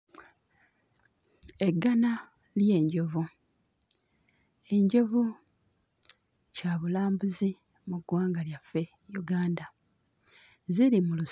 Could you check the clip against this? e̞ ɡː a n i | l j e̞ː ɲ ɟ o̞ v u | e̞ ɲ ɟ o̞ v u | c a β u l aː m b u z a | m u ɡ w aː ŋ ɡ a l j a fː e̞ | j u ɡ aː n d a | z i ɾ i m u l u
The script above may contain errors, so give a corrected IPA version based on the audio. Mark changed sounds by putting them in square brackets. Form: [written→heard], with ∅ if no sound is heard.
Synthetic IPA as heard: e̞ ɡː a n [i→a] | l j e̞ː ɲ ɟ o̞ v u | e̞ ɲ ɟ o̞ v u | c a β u l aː m b u z [a→i] | m u ɡ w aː ŋ ɡ a l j a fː e̞ | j u ɡ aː n d a | z i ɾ i m u l u